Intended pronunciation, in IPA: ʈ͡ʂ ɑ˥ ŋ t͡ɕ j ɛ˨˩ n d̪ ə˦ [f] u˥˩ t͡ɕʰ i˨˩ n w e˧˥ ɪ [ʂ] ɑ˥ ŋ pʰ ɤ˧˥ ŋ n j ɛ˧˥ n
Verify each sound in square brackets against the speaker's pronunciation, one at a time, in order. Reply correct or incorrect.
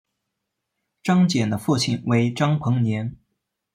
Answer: correct, incorrect

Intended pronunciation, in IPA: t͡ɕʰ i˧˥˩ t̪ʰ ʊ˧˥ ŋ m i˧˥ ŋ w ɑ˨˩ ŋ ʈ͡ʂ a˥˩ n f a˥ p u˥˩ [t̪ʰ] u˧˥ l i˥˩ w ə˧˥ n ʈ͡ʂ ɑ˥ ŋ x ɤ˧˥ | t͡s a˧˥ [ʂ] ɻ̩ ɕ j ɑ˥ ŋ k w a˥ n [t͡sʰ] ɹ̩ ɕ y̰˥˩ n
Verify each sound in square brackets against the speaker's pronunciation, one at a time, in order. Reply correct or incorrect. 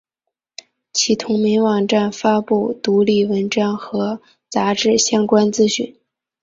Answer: incorrect, incorrect, incorrect

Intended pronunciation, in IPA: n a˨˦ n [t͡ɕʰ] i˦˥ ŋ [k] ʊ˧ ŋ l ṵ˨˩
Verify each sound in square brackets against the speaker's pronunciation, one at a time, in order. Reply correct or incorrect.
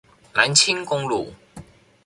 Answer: correct, correct

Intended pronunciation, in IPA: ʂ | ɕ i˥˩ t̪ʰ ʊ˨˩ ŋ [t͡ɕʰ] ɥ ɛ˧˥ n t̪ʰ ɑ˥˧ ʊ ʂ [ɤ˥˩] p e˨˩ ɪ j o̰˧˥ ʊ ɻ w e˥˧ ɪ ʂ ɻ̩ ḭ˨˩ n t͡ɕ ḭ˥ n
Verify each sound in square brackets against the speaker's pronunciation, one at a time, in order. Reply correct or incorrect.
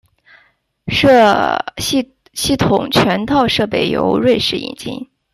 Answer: correct, correct

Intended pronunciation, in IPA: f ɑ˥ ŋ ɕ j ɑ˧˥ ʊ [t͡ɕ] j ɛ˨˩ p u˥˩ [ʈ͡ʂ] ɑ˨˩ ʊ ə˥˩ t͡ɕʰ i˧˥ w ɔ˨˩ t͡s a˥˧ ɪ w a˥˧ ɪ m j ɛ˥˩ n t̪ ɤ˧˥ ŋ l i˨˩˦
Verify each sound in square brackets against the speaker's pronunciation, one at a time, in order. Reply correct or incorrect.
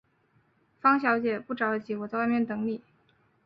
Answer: correct, correct

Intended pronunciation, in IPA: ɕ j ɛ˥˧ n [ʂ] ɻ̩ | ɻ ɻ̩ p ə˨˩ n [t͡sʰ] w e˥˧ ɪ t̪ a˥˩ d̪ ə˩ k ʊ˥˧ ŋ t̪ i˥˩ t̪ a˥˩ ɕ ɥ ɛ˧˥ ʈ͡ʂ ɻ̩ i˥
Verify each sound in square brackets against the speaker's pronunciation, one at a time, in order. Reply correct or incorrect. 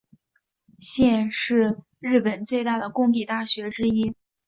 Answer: correct, incorrect

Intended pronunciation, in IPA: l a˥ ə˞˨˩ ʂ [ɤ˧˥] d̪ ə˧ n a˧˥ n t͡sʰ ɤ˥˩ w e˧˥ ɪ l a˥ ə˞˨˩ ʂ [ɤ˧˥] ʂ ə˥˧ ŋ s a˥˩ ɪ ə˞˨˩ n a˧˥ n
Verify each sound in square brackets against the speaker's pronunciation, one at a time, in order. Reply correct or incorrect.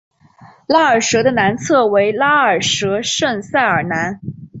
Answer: correct, correct

